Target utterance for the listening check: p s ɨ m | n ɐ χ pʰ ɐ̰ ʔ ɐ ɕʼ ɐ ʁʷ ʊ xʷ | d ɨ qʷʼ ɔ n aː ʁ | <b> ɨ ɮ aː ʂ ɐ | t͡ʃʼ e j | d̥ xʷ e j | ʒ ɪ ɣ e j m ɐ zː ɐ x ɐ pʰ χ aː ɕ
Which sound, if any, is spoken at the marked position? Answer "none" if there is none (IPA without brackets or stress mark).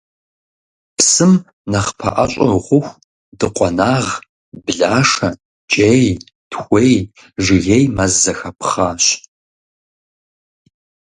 b